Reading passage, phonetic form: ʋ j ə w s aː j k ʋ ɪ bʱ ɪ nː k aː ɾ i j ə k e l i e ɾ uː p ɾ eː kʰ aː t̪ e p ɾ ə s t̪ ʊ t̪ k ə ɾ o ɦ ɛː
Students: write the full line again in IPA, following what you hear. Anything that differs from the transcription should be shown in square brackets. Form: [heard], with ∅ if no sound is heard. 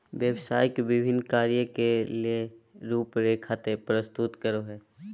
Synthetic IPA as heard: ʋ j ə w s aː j k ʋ ɪ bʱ ɪ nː k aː ɾ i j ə k e l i e ɾ uː p ɾ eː kʰ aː t̪ e p ɾ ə s t̪ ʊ t̪ k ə ɾ o ɦ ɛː